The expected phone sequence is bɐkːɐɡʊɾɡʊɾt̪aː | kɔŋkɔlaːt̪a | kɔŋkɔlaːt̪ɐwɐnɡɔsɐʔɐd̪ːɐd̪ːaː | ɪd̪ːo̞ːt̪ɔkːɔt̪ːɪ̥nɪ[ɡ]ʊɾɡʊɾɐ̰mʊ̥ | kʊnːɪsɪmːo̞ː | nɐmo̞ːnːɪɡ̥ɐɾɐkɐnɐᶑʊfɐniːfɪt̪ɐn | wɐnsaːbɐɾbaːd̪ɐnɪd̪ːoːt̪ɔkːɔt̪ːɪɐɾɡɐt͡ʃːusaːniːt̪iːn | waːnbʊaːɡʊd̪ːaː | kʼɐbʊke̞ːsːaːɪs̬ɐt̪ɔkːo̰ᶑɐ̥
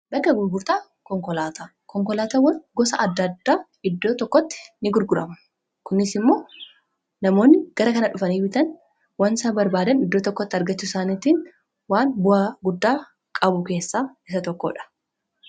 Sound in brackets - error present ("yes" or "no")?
no